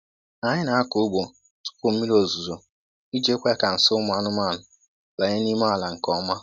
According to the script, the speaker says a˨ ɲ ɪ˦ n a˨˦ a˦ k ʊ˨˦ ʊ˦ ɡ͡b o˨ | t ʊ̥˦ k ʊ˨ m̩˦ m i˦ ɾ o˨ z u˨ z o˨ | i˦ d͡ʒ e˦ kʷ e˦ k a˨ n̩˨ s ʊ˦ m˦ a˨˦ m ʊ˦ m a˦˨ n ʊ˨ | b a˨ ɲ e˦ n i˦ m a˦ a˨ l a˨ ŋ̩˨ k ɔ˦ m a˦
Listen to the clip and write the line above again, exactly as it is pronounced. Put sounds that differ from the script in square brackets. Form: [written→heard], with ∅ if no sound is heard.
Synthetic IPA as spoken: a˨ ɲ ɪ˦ n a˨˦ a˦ k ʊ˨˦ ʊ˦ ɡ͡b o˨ | t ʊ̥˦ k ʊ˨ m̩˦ m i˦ ɾ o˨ z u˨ z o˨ | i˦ d͡ʒ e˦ kʷ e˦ k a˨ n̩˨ s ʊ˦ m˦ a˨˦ [m→n] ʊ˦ m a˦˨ n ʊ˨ | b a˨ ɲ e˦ n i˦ m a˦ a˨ l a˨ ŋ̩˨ k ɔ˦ m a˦